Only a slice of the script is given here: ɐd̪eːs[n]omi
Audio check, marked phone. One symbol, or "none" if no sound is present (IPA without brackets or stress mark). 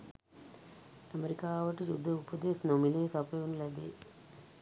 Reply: n